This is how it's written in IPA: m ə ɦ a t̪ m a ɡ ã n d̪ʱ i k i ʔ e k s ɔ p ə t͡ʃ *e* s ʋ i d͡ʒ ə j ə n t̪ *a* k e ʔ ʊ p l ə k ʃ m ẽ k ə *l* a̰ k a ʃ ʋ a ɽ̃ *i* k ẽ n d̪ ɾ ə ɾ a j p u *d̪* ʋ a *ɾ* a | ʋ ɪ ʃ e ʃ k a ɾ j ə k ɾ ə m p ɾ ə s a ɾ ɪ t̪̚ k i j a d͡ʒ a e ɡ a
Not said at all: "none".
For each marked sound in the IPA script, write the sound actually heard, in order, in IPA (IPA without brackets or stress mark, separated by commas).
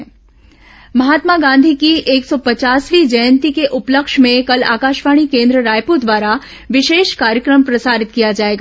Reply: a, i, l, i, d̪, ɾ